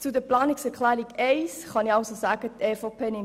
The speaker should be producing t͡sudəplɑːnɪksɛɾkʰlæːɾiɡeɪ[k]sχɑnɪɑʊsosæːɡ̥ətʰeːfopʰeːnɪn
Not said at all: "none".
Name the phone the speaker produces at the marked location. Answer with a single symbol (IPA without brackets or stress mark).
none